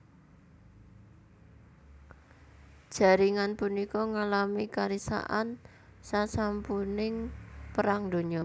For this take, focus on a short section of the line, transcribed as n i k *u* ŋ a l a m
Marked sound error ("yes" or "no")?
yes